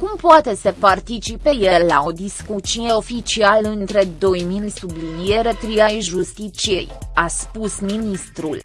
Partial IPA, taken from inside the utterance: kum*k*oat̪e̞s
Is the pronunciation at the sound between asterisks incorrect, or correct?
incorrect